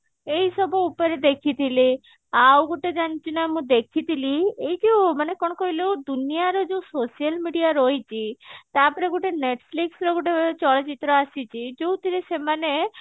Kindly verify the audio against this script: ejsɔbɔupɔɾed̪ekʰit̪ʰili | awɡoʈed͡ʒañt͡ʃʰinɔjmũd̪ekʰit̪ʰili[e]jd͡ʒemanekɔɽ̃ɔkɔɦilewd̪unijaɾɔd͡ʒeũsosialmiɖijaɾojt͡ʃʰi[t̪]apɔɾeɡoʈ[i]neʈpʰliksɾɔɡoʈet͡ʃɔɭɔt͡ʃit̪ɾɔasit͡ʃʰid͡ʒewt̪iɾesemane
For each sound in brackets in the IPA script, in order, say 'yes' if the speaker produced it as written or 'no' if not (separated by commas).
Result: yes, yes, no